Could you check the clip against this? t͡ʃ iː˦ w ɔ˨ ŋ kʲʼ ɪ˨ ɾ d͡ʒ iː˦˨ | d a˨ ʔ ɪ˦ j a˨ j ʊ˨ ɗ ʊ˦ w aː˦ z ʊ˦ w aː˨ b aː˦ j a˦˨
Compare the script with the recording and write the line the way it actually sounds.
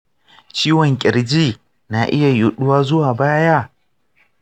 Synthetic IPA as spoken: t͡ʃ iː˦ w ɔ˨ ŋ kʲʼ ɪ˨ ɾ d͡ʒ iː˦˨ | n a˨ ʔ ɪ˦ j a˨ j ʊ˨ ɗ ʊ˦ w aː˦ z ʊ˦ w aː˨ b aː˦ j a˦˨